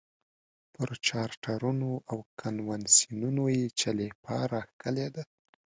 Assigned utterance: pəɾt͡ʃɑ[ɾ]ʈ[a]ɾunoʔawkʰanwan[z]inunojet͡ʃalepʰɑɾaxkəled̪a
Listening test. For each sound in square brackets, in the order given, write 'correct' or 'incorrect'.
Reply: correct, correct, incorrect: s

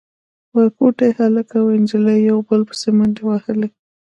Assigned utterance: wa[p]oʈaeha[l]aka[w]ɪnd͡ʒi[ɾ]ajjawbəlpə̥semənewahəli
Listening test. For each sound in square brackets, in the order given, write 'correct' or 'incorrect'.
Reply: incorrect: k, correct, correct, incorrect: l

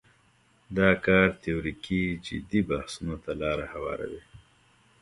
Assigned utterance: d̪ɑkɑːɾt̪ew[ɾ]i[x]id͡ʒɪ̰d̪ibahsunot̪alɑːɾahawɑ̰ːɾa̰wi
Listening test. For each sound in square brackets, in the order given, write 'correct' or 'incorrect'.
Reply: correct, incorrect: k

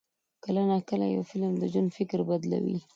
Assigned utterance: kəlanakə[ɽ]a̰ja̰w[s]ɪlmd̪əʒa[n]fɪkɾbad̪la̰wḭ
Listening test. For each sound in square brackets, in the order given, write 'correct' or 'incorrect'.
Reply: incorrect: l, incorrect: f, correct

